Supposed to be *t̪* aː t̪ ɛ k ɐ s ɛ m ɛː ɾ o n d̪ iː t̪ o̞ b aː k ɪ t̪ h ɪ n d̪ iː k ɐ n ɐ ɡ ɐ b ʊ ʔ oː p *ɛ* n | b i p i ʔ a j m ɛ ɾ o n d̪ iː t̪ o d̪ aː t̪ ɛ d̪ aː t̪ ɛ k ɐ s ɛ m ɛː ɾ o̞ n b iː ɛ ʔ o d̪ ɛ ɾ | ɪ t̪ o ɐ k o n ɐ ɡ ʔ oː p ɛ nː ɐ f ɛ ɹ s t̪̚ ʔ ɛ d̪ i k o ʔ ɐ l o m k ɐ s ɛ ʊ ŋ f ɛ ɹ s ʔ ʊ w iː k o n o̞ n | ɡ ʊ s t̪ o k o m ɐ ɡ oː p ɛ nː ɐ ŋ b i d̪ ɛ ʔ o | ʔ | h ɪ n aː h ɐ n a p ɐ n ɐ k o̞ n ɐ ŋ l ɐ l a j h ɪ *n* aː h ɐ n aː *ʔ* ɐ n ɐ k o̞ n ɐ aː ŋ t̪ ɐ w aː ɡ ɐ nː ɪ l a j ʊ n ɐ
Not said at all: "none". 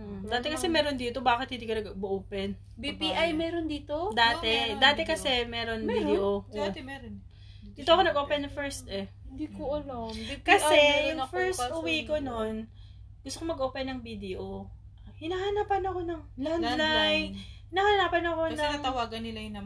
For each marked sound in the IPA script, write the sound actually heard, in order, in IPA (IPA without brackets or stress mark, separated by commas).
d̪, ɛ, n, p